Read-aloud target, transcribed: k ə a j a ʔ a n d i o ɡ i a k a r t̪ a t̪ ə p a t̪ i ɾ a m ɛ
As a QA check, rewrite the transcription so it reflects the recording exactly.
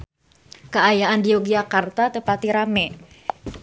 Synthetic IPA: k ə a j a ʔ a n d i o ɡ i a k a r t̪ a t̪ ə p a t̪ i ɾ a m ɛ